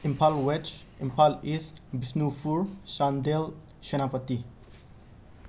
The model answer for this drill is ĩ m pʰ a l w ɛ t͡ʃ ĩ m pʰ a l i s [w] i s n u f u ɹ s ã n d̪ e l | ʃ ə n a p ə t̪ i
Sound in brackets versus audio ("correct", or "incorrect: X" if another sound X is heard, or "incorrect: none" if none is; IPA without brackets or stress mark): incorrect: b